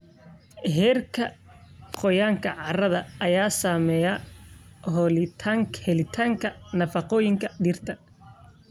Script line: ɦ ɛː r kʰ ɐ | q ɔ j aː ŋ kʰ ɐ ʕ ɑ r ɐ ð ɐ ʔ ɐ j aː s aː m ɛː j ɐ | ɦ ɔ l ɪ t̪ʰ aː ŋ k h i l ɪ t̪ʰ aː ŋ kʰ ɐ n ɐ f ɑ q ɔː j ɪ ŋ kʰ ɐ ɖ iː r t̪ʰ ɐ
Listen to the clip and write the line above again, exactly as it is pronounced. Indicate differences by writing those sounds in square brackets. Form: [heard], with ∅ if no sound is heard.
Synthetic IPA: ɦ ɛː r kʰ ɐ | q ɔ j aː ŋ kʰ ɐ ʕ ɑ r ɐ ð ɐ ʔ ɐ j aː s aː m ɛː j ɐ | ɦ ɔ l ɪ t̪ʰ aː ŋ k h [ɛ] l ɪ t̪ʰ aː ŋ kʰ ɐ n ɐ f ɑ q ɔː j ɪ ŋ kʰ ɐ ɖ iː r t̪ʰ ɐ